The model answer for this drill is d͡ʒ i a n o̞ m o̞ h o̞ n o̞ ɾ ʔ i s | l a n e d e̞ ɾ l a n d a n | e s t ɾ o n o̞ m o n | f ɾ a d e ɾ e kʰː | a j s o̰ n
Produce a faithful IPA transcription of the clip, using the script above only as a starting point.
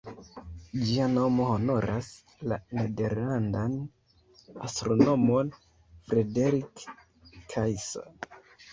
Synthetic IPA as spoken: d͡ʒ i a n o̞ m o̞ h o̞ n o̞ ɾ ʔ a s | l a n e d e̞ ɾ l a n d a n | a s t ɾ o n o̞ m o n | f ɾ e d e ɾ i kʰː | a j s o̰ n